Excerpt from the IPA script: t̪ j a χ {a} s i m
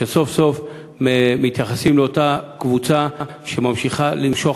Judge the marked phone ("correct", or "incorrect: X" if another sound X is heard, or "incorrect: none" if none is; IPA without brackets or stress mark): correct